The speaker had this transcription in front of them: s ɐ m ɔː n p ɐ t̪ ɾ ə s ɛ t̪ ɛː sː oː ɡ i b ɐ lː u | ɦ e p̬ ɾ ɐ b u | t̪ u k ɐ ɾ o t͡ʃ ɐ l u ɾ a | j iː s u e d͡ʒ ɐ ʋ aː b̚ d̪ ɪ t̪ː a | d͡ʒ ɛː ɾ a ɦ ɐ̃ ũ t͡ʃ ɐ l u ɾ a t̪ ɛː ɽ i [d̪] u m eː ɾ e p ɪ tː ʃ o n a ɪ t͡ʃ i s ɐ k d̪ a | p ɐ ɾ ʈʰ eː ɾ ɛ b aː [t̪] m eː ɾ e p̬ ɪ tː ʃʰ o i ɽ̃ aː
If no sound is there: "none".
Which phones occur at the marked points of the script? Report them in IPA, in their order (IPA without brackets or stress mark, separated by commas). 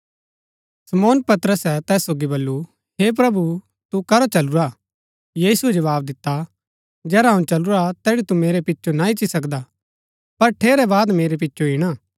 t̪, d̪